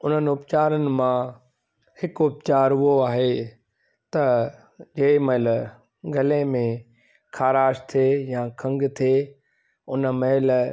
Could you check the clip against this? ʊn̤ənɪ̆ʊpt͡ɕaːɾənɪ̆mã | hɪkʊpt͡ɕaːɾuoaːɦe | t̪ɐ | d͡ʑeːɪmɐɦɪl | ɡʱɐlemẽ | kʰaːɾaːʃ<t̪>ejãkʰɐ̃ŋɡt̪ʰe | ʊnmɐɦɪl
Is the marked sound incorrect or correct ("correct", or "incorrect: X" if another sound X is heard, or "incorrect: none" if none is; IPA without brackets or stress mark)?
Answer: incorrect: t̪ʰ